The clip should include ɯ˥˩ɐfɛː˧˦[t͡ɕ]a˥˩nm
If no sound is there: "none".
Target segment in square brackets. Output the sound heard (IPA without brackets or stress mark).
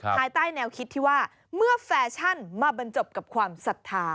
t͡ɕʰ